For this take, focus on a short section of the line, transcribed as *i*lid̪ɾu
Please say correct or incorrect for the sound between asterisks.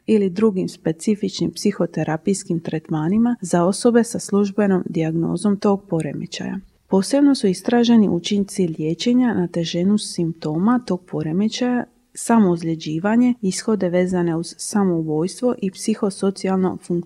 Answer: correct